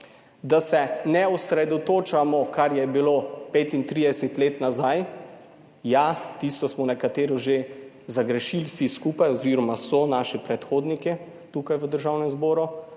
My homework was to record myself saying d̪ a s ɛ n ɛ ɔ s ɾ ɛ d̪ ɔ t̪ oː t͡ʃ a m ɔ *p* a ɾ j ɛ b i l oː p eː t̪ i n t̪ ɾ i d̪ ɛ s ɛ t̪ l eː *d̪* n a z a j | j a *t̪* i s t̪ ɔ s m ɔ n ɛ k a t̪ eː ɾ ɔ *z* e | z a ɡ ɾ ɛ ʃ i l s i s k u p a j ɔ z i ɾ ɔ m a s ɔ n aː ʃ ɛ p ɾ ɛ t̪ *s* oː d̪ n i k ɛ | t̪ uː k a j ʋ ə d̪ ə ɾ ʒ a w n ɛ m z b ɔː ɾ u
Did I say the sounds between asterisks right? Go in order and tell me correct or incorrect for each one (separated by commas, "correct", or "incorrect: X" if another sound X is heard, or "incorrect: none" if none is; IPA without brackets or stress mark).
incorrect: k, incorrect: t̪, correct, incorrect: ʒ, incorrect: x